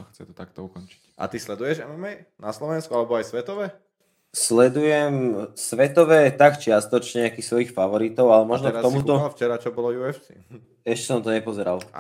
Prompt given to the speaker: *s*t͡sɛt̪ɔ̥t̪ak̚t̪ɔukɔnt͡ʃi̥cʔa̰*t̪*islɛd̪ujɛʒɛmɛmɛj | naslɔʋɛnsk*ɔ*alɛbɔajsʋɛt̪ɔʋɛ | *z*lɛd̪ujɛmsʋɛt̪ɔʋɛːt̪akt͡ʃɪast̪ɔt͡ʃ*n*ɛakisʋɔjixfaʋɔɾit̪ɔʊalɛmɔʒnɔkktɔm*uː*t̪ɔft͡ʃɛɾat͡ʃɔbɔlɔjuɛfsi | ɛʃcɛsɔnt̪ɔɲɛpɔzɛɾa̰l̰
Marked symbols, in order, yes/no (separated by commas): no, yes, no, no, no, no